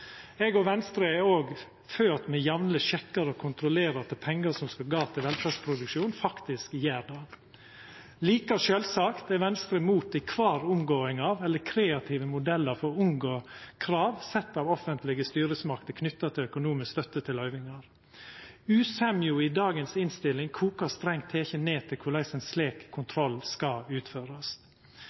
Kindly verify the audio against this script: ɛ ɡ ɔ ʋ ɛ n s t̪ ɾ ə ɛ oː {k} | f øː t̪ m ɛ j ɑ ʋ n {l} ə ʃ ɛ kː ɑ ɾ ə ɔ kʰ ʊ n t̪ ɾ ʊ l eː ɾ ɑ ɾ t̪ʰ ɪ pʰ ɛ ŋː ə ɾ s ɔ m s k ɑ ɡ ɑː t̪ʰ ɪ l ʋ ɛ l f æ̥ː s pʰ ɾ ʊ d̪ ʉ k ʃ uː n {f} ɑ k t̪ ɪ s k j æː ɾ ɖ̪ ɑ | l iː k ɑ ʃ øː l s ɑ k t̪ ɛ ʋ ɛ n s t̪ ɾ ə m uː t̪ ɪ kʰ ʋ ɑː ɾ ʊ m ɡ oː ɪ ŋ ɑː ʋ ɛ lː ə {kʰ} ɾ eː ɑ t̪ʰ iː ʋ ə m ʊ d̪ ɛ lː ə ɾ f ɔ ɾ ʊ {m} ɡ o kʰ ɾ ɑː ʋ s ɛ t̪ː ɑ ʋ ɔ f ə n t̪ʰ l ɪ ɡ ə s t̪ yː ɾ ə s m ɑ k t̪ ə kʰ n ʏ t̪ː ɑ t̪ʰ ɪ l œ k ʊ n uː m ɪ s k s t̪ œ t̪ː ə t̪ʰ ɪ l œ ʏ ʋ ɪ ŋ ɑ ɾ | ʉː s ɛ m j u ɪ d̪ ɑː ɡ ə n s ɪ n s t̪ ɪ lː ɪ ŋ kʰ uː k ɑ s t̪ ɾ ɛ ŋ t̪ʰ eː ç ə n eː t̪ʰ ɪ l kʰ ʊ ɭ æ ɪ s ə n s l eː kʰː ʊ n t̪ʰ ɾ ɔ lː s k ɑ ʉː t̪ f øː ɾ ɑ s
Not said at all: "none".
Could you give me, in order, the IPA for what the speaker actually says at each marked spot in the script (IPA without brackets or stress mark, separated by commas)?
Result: ɡ, l, f, kʰ, ŋ